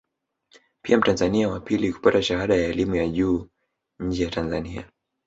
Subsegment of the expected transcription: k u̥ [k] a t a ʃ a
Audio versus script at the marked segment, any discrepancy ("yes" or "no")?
yes